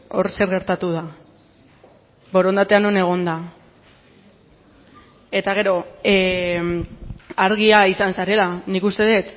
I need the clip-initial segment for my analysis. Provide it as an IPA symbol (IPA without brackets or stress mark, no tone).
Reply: o̞